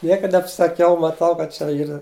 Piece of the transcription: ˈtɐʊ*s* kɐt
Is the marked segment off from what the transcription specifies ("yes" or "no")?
yes